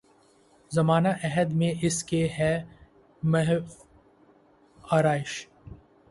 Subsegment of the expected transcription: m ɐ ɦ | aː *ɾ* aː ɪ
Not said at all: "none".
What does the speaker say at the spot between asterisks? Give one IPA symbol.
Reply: ɾ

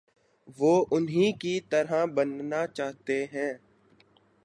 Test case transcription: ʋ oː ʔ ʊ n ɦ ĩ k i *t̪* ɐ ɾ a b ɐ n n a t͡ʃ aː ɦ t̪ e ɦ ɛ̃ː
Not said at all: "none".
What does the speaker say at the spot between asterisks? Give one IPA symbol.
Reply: t̪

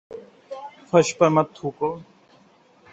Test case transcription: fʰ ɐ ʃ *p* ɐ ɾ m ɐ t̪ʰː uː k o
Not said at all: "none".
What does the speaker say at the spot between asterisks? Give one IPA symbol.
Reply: p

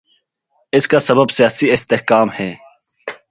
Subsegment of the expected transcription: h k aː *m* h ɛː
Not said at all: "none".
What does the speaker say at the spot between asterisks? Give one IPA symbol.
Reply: m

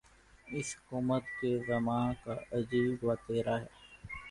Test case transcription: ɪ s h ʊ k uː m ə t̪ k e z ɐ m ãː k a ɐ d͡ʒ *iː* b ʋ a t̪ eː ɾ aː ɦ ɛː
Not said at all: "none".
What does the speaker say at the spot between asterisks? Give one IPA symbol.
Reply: iː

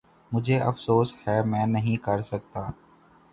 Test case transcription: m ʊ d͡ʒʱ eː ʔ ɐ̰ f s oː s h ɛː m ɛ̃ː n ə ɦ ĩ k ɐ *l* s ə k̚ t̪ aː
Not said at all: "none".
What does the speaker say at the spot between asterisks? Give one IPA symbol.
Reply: ɾ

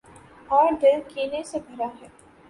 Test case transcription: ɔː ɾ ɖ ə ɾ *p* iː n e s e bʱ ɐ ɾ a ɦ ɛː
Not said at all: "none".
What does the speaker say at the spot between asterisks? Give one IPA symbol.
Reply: k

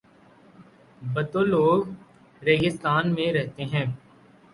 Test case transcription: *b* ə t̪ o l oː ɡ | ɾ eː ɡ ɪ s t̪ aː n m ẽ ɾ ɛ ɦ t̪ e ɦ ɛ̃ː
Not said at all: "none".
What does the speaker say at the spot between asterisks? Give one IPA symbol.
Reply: b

